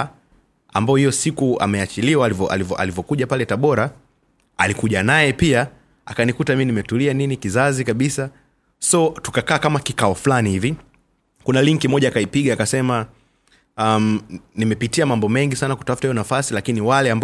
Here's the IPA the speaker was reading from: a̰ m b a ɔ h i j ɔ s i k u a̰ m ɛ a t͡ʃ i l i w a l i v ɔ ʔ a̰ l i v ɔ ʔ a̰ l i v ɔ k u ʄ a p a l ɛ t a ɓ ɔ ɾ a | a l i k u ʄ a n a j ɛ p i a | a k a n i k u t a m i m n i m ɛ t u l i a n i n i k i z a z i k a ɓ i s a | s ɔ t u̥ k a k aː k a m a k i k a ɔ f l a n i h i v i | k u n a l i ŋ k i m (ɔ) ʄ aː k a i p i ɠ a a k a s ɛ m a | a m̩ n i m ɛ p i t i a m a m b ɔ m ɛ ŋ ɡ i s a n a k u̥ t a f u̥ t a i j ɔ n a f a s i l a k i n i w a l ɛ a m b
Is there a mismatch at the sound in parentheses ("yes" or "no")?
no